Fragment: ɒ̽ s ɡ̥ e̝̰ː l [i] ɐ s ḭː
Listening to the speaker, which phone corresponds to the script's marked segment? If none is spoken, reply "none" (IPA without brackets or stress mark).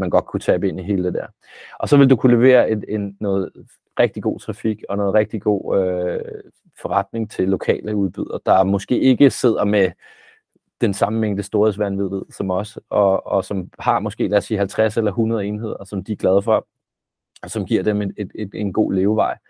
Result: æ